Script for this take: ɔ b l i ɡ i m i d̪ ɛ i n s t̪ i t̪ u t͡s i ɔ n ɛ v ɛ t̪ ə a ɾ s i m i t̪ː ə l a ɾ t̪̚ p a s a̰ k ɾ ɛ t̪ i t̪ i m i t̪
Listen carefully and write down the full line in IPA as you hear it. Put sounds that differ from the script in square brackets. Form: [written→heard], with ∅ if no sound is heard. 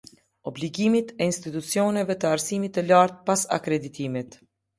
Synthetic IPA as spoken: ɔ b l i ɡ i m i [d̪→t̪] ɛ i n s t̪ i t̪ u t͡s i ɔ n ɛ v ɛ t̪ ə a ɾ s i m i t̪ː ə l a ɾ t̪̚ p a s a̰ k ɾ ɛ [t̪→d̪] i t̪ i m i t̪